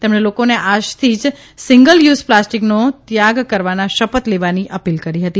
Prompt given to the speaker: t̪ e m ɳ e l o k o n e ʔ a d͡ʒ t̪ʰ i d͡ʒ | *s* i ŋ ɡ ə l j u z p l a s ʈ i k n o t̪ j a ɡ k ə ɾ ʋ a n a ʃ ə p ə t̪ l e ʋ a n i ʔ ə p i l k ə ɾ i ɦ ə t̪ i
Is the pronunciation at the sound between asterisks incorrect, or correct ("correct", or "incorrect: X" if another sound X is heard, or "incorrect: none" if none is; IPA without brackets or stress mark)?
correct